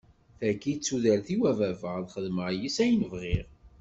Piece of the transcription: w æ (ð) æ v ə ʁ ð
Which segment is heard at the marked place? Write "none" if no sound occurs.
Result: v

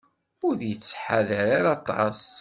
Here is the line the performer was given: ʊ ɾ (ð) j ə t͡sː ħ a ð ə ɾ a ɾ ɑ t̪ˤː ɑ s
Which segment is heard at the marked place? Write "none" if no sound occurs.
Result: ð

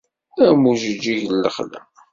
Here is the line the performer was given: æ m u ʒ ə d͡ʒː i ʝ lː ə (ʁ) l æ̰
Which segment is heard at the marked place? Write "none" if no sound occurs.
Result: χ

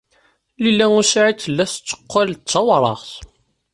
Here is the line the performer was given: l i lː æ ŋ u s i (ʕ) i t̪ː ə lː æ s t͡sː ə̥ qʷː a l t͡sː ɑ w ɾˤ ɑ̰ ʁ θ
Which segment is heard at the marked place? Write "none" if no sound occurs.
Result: ʕ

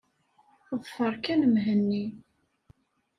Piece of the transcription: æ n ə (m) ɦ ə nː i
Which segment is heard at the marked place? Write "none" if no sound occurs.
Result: m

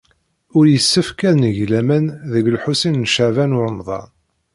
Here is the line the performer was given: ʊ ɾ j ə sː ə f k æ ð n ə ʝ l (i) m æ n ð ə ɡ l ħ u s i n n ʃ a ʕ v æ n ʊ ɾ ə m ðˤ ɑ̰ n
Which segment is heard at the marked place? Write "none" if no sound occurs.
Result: æ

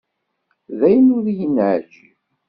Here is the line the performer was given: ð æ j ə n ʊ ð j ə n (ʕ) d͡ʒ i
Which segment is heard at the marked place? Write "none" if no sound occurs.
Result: ʕ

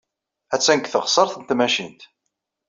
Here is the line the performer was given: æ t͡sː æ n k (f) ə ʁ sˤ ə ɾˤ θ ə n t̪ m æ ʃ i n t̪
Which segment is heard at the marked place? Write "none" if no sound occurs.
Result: θ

